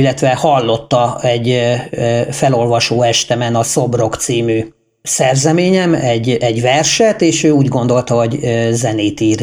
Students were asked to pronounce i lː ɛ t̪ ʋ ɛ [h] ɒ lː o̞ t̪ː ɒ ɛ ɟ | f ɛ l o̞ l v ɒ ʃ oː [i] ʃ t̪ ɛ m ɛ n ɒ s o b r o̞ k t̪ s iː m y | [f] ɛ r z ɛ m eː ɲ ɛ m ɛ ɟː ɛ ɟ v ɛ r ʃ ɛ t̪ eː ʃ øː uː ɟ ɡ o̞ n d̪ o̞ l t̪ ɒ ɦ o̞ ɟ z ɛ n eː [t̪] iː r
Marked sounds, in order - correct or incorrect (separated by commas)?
correct, incorrect, incorrect, correct